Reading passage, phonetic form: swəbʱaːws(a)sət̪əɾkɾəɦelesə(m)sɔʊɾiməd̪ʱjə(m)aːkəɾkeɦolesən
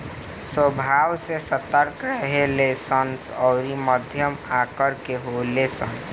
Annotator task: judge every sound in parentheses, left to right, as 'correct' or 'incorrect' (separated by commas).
incorrect, incorrect, correct